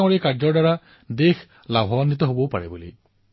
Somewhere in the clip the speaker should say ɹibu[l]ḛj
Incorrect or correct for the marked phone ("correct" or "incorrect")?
correct